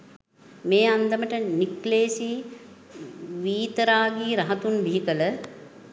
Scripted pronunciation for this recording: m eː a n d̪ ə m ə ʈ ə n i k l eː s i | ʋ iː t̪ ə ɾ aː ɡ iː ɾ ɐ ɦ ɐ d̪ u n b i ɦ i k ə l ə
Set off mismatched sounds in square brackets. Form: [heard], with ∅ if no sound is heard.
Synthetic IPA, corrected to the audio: m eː a n d̪ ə m ə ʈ ə n i k l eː s i | ʋ iː t̪ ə ɾ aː ɡ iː ɾ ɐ ɦ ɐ [t̪] u n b i ɦ i k ə l ə